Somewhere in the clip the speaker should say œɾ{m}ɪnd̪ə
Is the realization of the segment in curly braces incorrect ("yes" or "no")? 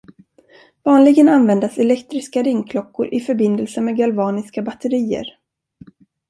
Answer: yes